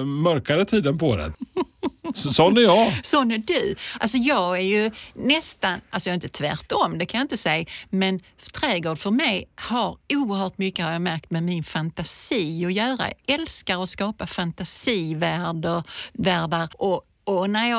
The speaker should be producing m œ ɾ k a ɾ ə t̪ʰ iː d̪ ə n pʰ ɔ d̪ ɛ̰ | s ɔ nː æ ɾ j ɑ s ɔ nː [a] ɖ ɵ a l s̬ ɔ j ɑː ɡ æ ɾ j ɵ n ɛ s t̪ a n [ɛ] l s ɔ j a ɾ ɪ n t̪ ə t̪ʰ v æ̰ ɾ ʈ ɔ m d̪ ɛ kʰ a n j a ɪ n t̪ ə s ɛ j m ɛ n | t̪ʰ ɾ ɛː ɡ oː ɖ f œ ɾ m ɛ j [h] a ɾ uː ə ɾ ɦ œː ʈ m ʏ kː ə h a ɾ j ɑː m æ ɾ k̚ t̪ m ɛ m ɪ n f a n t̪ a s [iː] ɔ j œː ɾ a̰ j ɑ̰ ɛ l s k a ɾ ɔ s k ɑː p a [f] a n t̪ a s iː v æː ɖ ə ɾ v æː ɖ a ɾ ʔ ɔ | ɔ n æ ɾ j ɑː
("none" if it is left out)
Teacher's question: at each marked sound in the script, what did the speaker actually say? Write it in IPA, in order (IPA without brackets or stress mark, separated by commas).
æ, a, h, iː, f